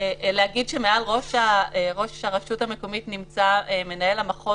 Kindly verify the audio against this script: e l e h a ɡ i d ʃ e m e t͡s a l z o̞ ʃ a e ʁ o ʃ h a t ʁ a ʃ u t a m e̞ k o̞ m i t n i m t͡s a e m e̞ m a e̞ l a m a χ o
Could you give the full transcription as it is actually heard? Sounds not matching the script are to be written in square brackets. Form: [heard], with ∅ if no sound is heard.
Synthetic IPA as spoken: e l e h a ɡ i d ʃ e m e [∅] a l [ʁ] o̞ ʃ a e ʁ o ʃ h a [∅] ʁ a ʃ u t a m e̞ k o̞ m i t n i m t͡s a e m e̞ [n] a e̞ l a m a χ o